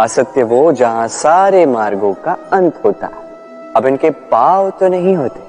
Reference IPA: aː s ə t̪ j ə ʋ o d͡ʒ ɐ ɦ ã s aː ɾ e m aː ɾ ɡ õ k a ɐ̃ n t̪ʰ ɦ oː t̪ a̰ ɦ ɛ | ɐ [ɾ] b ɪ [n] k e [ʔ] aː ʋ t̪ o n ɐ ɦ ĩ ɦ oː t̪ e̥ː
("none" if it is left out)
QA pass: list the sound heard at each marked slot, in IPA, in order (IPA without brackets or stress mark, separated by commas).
none, n, p